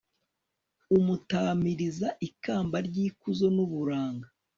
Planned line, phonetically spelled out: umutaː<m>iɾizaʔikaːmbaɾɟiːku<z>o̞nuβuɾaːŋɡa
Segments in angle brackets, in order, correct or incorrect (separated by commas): correct, correct